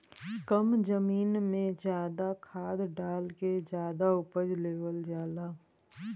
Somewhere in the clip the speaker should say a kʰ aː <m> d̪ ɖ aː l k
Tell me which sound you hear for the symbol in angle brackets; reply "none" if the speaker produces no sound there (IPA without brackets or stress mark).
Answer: none